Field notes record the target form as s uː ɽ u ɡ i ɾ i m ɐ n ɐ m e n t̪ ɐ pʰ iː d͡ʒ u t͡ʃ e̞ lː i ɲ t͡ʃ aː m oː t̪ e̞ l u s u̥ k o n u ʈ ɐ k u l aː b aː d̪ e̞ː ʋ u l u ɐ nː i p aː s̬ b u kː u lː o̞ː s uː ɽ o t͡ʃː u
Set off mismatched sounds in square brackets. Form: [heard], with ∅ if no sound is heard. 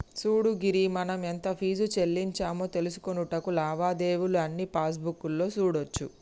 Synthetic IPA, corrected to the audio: s uː ɽ u ɡ i ɾ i m ɐ n ɐ m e n t̪ ɐ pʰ iː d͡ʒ u t͡ʃ e̞ lː i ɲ t͡ʃ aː m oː t̪ e̞ l u s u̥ k o n u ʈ ɐ k u l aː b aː d̪ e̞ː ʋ u l u ɐ nː i p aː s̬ b u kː u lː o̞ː s uː ɽ o t͡ʃː u